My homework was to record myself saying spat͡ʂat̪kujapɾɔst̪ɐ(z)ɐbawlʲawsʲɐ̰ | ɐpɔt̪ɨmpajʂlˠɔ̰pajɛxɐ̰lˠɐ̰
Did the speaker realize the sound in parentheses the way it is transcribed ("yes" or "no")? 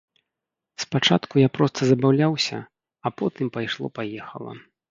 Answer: yes